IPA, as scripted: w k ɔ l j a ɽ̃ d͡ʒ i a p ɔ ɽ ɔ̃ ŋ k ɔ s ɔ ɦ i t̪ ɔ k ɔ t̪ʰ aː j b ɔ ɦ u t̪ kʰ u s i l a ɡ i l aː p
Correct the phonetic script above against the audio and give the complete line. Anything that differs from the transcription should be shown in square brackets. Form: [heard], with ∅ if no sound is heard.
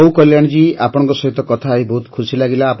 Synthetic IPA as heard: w k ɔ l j a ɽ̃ d͡ʒ i a p ɔ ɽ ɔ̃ ŋ k ɔ s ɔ ɦ i t̪ ɔ k ɔ t̪ʰ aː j b ɔ ɦ u t̪ kʰ u s i l a ɡ i l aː p